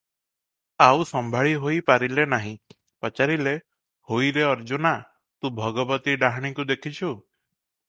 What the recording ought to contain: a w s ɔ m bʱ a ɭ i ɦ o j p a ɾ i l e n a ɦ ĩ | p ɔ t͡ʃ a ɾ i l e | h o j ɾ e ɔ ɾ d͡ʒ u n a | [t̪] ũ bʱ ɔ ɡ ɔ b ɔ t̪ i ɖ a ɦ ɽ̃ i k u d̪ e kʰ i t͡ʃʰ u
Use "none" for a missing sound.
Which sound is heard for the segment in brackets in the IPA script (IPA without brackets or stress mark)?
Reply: t̪